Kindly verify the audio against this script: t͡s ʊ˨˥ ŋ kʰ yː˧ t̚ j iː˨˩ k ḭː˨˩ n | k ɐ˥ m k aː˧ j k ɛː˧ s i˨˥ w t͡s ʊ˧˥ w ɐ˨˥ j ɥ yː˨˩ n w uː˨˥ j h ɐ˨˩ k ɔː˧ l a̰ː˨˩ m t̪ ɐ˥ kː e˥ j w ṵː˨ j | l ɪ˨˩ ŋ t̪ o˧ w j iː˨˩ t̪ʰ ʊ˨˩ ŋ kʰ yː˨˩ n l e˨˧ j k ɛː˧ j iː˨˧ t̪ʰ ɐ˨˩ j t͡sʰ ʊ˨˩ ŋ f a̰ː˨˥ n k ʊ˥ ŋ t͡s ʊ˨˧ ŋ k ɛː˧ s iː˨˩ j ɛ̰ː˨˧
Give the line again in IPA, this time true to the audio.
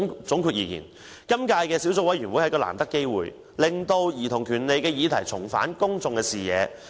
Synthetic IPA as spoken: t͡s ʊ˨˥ ŋ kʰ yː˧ t̚ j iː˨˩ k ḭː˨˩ n | k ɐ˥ m k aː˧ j k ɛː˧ s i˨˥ w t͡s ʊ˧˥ w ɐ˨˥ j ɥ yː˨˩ n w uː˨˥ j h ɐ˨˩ k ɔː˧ l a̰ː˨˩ m t̪ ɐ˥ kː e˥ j w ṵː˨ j | l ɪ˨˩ ŋ t̪ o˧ w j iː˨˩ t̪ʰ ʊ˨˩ ŋ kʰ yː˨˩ n l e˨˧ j k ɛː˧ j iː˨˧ t̪ʰ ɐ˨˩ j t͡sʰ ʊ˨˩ ŋ f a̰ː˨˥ n k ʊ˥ ŋ t͡s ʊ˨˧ ŋ k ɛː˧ s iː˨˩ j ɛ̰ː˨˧